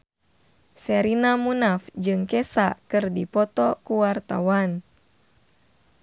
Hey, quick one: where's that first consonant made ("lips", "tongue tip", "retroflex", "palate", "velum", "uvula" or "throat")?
tongue tip